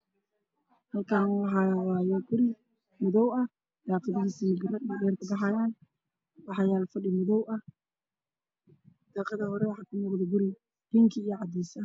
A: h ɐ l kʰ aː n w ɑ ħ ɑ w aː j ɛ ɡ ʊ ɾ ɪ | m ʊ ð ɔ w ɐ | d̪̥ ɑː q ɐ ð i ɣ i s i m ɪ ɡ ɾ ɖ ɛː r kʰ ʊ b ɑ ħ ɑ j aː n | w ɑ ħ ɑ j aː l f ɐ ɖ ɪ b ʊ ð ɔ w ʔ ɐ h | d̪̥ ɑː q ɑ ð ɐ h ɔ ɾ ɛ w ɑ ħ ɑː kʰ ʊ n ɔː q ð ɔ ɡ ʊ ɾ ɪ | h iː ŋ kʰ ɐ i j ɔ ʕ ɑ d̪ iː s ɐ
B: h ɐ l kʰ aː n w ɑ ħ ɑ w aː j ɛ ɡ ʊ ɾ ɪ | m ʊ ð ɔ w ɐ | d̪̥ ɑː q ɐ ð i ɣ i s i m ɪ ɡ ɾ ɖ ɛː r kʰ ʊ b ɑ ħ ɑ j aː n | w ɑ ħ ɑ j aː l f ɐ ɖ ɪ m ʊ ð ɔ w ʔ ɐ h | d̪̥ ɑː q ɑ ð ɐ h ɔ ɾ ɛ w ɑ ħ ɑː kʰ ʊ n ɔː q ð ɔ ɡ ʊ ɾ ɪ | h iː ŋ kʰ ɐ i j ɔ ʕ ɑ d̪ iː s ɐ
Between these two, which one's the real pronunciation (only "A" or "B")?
B